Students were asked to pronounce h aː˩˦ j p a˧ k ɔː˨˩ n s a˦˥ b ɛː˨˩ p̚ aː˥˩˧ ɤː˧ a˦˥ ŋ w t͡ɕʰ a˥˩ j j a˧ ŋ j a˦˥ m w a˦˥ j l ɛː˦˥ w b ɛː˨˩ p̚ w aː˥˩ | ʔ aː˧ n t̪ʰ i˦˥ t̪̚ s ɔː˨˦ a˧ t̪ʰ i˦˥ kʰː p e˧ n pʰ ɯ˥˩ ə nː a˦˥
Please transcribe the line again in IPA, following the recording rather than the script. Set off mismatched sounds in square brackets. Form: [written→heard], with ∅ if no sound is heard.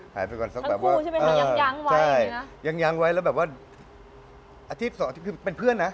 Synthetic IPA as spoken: h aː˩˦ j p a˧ k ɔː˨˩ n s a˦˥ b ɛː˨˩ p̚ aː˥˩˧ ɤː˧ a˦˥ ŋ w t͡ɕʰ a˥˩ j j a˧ ŋ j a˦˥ [m→ŋ] w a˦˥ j l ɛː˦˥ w b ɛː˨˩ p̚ w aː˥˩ | ʔ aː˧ [n→∅] t̪ʰ i˦˥ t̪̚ s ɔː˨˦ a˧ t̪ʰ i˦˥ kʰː p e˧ n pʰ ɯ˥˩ ə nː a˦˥

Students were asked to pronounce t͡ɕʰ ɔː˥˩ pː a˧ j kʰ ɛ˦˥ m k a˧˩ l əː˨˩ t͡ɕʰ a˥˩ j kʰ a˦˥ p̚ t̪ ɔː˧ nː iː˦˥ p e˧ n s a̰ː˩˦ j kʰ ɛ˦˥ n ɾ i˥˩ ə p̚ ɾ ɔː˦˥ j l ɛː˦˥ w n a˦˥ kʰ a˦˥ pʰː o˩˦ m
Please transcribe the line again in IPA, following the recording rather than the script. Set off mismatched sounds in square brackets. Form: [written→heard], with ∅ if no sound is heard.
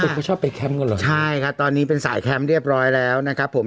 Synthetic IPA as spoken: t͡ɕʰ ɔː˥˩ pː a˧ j kʰ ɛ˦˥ m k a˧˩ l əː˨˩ t͡ɕʰ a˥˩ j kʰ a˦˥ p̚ t̪ ɔː˧ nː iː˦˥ p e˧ n s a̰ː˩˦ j kʰ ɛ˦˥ [n→m] ɾ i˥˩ ə p̚ ɾ ɔː˦˥ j l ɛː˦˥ w n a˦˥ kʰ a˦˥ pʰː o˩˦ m

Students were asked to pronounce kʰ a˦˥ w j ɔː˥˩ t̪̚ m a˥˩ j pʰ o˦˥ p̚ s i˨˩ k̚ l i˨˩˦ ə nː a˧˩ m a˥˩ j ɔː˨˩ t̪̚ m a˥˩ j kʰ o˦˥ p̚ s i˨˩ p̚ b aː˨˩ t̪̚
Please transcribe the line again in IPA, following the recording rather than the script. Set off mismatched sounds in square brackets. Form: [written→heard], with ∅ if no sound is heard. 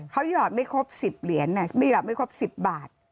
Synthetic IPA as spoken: kʰ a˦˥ w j [ɔː˥˩→ɔː˨˩] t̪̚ m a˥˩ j [pʰ→kʰ] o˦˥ p̚ s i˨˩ [k̚→p̚] l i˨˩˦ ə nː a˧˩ m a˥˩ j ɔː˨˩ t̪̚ m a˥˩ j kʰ o˦˥ p̚ s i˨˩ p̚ b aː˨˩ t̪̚

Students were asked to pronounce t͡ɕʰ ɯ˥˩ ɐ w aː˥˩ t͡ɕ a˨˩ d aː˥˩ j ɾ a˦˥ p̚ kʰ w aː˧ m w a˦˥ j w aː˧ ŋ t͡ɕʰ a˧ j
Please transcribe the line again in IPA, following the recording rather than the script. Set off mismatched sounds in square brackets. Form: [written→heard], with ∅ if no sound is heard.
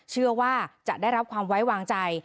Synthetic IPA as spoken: t͡ɕʰ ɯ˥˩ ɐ w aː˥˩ t͡ɕ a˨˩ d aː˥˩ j ɾ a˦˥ p̚ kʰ w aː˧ m w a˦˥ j w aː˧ ŋ [t͡ɕʰ→t͡ɕ] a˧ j

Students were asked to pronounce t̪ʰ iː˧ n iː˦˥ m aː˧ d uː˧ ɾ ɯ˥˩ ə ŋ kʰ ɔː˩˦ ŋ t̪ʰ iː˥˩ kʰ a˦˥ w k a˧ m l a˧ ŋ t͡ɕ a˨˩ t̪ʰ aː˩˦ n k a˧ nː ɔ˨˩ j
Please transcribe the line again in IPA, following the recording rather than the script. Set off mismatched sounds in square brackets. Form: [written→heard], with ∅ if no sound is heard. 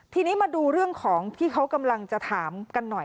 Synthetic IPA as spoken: t̪ʰ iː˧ n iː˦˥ m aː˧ d uː˧ ɾ ɯ˥˩ ə ŋ kʰ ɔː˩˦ ŋ t̪ʰ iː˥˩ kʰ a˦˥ w k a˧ m l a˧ ŋ t͡ɕ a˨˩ t̪ʰ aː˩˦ [n→m] k a˧ nː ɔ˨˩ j

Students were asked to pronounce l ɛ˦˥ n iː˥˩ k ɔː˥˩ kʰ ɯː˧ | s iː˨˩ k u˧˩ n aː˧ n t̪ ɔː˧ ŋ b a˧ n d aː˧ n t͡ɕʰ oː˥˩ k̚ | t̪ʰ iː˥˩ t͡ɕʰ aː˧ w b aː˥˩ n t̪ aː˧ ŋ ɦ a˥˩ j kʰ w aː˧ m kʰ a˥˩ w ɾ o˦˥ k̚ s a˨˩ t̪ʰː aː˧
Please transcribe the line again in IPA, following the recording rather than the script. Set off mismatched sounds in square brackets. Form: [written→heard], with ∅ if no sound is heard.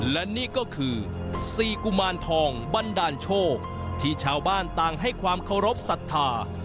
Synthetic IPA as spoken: l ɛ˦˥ n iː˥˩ k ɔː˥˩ kʰ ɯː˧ | s iː˨˩ k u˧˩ [n→m] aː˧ n [t̪→t̪ʰ] ɔː˧ ŋ b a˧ n d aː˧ n t͡ɕʰ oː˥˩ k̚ | t̪ʰ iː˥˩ t͡ɕʰ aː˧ w b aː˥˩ n t̪ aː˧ ŋ ɦ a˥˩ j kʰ w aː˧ m kʰ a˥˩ w ɾ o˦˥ [k̚→p̚] s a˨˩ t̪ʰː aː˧

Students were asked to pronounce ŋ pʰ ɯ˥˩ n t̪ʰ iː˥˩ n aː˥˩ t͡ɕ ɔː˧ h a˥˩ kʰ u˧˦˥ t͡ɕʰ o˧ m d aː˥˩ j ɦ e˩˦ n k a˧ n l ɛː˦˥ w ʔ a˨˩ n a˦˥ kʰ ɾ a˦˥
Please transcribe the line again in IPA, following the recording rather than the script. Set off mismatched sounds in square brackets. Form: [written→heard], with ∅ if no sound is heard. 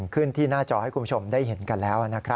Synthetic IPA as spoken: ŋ [pʰ→kʰ] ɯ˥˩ n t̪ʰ iː˥˩ n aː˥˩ t͡ɕ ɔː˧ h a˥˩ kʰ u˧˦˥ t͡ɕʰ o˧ m d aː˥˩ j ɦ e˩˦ n k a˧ n l ɛː˦˥ w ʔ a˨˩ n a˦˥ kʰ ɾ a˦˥

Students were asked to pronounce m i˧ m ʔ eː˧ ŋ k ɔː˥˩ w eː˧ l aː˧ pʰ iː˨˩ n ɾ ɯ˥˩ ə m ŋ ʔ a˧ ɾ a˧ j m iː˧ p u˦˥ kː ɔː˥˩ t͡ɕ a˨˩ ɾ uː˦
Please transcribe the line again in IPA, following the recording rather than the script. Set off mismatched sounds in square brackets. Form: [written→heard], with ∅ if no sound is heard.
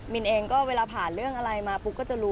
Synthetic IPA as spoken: m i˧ [m→n] ʔ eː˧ ŋ k ɔː˥˩ w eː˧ l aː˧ pʰ [iː˨˩→aː˨˩] n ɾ ɯ˥˩ ə [m→∅] ŋ ʔ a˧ ɾ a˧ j m [iː˧→aː˧] p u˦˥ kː ɔː˥˩ t͡ɕ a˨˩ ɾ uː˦

